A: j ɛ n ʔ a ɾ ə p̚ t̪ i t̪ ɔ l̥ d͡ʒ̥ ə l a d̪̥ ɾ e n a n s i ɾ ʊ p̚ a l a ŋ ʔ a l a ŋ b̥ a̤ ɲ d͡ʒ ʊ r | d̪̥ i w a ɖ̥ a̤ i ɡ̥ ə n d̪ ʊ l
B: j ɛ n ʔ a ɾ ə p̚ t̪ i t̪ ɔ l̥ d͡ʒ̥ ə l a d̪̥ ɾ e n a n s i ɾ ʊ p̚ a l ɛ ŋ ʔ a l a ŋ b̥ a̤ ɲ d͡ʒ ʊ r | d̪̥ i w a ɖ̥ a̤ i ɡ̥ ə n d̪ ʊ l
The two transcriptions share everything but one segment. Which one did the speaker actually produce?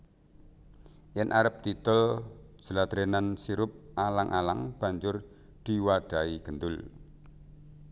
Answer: A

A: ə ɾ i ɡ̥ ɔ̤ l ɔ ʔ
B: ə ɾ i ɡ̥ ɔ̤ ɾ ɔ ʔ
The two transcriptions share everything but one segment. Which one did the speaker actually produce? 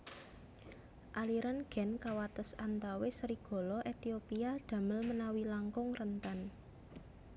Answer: A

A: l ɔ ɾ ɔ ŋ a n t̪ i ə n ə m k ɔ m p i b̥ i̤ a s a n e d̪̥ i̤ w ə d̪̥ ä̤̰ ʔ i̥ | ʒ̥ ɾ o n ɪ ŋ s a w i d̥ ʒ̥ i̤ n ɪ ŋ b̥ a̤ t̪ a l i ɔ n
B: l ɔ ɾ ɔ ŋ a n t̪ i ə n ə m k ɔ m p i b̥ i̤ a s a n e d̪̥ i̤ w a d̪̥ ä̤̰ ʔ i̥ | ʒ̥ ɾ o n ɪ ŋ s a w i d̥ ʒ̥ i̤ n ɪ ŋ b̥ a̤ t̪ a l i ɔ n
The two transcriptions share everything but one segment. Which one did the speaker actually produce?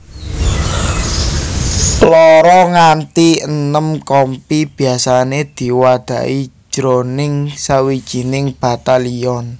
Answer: B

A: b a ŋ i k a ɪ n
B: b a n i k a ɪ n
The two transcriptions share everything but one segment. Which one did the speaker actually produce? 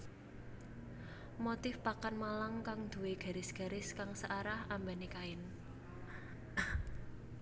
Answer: B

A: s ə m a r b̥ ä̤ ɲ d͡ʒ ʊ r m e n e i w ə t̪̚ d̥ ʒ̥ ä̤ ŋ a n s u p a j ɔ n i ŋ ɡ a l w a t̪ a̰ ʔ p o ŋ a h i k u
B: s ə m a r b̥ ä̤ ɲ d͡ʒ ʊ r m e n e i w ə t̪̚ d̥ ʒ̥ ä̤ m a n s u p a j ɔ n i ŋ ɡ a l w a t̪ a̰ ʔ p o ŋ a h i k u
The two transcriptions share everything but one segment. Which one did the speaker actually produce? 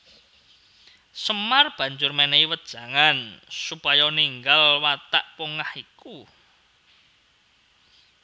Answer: A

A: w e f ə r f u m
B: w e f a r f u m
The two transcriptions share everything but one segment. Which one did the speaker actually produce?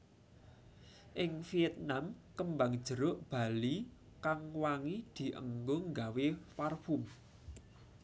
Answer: B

